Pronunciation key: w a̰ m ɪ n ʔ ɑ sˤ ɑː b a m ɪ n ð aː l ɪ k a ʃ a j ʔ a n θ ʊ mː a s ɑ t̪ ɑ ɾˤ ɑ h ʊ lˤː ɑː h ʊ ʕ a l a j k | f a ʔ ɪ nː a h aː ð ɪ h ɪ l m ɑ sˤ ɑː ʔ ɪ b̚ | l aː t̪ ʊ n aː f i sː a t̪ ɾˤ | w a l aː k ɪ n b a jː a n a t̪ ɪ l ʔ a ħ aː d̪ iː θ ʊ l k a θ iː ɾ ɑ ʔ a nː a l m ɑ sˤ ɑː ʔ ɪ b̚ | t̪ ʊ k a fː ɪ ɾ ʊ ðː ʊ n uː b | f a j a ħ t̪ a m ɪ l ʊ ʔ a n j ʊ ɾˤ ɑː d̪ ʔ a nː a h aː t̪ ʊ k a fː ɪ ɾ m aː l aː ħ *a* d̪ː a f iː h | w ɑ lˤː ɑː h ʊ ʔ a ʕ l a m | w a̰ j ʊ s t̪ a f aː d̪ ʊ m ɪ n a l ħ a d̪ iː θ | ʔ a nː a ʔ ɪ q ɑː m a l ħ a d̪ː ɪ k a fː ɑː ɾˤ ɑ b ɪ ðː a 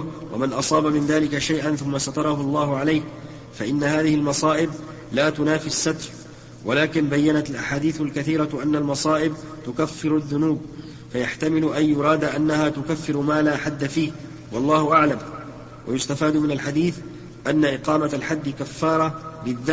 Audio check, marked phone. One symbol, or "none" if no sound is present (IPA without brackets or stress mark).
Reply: a